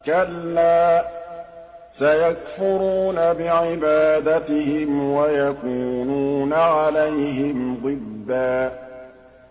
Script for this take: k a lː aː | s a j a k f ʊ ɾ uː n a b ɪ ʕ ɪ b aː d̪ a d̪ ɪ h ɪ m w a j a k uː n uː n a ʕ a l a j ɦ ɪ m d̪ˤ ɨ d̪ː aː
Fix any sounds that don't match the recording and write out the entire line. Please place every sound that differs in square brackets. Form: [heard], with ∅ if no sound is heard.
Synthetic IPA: k a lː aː | s a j a k f ʊ ɾ uː n a b ɪ ʕ ɪ b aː d̪ a [t̪] ɪ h ɪ m w a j a k uː n uː n a ʕ a l a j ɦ ɪ m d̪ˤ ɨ d̪ː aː